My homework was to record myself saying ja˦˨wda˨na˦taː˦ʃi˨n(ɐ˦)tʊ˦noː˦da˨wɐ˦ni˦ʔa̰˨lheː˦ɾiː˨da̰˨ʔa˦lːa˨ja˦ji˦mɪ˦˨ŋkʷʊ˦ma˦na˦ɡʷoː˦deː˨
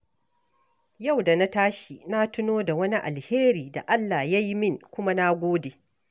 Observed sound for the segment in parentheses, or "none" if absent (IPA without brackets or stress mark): a˦